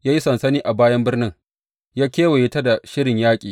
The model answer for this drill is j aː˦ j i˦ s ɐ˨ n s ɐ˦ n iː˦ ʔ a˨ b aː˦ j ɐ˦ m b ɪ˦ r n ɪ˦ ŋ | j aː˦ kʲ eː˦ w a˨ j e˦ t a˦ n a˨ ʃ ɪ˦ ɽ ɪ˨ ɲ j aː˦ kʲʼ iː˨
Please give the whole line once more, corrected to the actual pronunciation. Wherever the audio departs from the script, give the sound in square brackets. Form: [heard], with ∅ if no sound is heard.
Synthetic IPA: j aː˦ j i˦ s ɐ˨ n s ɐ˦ n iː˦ ʔ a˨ b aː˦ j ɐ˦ m b ɪ˦ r n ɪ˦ ŋ | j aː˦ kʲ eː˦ w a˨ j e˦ t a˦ [d] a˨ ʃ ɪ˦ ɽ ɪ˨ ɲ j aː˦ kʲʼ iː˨